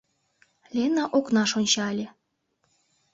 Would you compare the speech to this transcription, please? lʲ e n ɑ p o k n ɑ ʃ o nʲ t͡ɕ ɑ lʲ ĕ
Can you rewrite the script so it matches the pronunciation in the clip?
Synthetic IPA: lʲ e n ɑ ʔ o k n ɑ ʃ o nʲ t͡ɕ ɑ lʲ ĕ

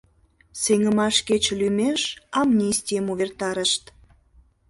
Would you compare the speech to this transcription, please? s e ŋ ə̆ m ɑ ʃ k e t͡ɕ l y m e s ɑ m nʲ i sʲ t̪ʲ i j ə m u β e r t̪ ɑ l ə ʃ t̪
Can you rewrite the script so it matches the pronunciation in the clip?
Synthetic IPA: s e ŋ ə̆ m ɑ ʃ k e t͡ɕ l y m e ʃ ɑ m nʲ i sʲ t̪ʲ i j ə m u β e r t̪ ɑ ɾ ə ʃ t̪

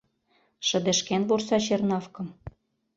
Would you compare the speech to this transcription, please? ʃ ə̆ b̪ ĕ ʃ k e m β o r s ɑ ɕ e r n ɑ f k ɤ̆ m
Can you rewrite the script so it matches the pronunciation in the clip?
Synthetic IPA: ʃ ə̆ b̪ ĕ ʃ k e n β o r s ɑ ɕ e r n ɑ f k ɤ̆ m

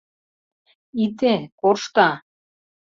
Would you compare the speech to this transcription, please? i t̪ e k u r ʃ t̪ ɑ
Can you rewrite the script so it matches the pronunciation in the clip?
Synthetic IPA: i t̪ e k o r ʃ t̪ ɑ

